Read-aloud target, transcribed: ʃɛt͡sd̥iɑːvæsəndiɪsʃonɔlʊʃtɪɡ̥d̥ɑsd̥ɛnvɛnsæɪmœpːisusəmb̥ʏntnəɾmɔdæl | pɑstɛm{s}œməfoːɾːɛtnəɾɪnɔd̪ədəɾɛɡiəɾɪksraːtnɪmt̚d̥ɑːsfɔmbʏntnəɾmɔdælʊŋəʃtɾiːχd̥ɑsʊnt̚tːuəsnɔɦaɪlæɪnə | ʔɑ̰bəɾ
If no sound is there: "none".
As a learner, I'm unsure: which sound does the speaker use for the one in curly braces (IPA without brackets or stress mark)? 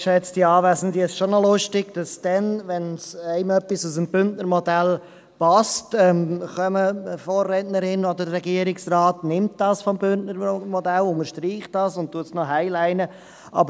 χ